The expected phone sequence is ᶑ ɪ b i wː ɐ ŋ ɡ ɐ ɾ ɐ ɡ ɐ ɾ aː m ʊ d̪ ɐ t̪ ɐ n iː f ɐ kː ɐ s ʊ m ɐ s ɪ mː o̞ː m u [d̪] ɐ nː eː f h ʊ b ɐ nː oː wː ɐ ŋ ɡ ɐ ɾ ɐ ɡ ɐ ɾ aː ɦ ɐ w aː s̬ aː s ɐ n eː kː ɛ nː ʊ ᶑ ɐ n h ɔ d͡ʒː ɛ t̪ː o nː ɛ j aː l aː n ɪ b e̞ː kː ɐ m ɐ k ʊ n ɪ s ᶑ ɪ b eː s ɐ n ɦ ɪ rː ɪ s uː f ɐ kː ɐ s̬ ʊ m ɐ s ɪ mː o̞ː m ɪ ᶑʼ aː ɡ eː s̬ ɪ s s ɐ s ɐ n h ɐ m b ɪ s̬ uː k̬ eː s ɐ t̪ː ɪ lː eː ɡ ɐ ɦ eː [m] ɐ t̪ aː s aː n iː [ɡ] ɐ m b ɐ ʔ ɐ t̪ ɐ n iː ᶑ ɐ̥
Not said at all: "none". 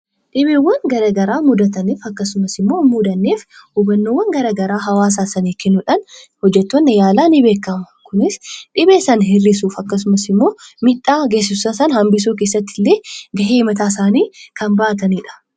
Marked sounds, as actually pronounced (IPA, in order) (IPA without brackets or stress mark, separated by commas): d̪, m, k